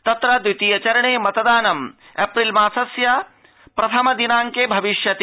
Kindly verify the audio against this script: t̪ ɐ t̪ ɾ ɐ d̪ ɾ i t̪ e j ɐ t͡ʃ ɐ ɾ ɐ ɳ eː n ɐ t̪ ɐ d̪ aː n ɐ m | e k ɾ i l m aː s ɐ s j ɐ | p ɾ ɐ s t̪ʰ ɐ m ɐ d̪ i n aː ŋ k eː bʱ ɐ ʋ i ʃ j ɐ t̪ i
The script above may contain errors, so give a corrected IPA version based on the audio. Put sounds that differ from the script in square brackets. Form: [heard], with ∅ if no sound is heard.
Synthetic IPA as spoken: t̪ ɐ t̪ ɾ ɐ d̪ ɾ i t̪ [i] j ɐ t͡ʃ ɐ ɾ ɐ ɳ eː [m] ɐ t̪ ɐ d̪ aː n ɐ m | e [p] ɾ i l m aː s ɐ s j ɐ | p ɾ ɐ [∅] t̪ʰ ɐ m ɐ d̪ i n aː ŋ k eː bʱ ɐ ʋ i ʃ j ɐ t̪ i